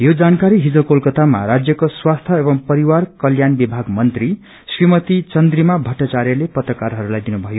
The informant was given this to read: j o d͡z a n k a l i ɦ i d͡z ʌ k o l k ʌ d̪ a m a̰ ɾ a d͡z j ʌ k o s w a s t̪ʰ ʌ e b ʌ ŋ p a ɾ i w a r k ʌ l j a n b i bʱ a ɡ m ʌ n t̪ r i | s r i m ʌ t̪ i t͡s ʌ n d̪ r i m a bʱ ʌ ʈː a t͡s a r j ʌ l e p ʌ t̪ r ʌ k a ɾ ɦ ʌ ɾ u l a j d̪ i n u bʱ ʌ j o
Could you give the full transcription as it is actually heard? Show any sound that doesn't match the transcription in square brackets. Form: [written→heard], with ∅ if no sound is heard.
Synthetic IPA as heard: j o d͡z a n k a [l→ɾ] i ɦ i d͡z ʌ k o l k ʌ [d̪→t̪] a m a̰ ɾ a d͡z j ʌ k o s w a s t̪ʰ ʌ e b ʌ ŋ p [a→ʌ] ɾ i w a r k ʌ l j a n b i bʱ a ɡ m ʌ n t̪ r i | s r i m ʌ t̪ i t͡s ʌ n d̪ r i m a bʱ ʌ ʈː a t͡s a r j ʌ l e p ʌ t̪ r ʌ k a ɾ ɦ ʌ ɾ u l a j d̪ i n u bʱ ʌ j o